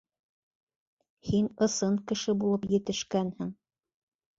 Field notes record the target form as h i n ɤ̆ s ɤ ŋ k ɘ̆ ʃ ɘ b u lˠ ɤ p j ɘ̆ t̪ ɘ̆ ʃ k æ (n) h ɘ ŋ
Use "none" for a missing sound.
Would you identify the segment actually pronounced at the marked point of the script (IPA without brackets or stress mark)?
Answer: n